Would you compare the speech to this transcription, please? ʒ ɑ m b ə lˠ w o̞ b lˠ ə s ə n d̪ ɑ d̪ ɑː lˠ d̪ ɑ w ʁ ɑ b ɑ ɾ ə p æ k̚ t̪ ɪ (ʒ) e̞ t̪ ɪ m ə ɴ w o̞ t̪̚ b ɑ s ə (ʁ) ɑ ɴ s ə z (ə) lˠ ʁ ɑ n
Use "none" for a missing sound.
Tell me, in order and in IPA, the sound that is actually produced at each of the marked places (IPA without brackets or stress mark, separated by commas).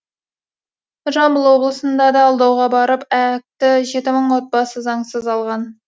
ʒ, z, ɑ